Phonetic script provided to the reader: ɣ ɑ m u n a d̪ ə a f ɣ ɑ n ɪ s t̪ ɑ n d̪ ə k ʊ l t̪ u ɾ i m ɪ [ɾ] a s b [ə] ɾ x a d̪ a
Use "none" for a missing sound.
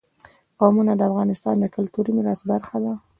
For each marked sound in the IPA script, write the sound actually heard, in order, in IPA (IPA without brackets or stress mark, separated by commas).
ɾ, a